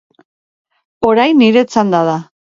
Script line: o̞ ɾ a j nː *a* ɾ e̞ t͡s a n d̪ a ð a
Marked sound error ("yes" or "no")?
yes